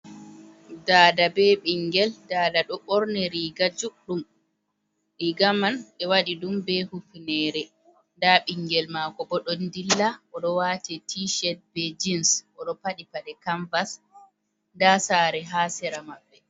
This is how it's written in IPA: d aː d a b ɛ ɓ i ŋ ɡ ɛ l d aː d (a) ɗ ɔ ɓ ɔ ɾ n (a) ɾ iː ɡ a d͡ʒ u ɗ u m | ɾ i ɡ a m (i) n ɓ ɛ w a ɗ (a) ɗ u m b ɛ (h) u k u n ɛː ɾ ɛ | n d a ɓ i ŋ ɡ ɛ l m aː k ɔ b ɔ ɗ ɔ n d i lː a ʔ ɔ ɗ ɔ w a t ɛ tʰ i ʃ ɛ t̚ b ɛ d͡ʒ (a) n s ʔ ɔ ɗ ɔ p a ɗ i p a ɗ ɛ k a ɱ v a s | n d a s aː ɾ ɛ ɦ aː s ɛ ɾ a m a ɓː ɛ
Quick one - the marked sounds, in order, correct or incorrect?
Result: correct, incorrect, incorrect, incorrect, correct, incorrect

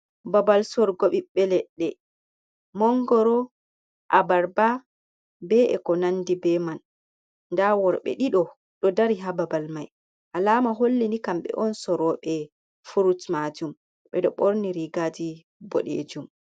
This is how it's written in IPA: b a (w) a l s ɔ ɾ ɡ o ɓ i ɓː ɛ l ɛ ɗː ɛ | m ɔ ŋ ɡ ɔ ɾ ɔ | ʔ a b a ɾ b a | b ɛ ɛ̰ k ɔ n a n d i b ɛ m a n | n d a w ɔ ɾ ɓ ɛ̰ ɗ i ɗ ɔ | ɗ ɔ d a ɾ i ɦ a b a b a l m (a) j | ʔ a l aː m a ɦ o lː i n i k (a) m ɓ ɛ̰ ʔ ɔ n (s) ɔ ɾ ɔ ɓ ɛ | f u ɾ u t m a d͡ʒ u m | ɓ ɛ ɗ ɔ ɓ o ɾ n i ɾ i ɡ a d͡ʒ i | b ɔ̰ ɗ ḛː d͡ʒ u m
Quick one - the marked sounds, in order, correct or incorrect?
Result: incorrect, correct, correct, correct

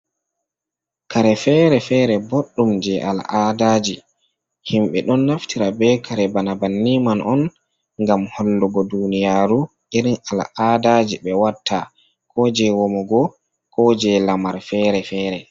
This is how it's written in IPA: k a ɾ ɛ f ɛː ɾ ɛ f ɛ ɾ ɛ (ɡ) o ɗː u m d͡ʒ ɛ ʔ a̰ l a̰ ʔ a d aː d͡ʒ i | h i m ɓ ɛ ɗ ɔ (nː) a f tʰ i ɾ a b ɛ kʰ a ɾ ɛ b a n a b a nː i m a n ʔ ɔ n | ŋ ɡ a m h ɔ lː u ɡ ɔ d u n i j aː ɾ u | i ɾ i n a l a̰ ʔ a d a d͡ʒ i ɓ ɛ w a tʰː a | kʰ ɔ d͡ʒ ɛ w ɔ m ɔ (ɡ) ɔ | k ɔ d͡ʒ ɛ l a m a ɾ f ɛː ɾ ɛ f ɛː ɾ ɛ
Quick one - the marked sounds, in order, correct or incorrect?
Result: incorrect, correct, correct

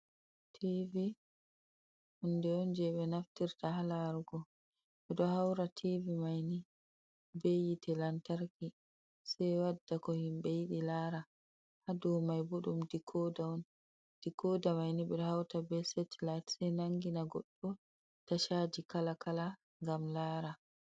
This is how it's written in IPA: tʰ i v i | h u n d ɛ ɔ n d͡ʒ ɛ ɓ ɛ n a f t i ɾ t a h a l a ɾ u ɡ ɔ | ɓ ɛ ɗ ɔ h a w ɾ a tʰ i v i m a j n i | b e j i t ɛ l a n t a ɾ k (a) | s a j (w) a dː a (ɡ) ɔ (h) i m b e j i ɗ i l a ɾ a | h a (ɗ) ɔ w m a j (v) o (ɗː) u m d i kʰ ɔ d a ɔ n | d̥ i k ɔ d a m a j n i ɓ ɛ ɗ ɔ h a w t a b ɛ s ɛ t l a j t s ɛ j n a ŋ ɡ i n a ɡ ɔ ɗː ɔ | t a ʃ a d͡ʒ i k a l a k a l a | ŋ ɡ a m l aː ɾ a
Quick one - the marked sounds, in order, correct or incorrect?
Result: incorrect, correct, incorrect, correct, incorrect, incorrect, incorrect

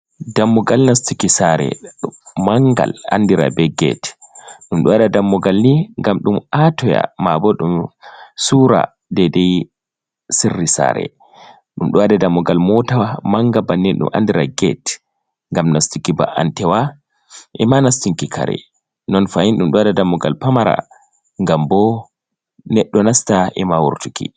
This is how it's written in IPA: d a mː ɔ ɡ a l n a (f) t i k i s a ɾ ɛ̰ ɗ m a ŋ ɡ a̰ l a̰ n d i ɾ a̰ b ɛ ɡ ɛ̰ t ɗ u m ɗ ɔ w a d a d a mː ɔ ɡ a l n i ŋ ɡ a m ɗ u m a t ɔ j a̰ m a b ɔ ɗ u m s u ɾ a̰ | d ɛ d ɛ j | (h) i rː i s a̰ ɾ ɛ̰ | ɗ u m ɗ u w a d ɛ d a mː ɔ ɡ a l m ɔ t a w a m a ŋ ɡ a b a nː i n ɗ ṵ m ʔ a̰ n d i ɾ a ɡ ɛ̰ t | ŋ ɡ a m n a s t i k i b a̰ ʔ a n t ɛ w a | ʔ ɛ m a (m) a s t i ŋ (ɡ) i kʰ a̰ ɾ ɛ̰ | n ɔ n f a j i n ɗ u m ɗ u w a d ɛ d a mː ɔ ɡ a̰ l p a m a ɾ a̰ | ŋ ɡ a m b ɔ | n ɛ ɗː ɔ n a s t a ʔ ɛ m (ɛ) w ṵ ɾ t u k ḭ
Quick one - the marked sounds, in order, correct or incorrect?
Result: incorrect, incorrect, incorrect, incorrect, incorrect

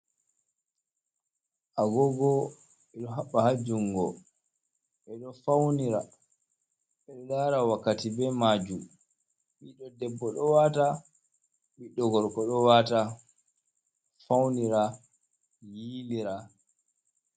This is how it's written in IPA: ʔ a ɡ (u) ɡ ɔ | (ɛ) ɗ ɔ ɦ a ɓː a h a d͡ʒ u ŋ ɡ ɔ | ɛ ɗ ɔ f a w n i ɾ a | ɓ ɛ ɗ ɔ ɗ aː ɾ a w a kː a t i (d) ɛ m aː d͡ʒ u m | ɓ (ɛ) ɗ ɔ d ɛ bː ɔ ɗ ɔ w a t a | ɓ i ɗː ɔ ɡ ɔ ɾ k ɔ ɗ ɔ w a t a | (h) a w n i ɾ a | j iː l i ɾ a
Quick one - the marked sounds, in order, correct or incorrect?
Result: incorrect, correct, incorrect, incorrect, incorrect

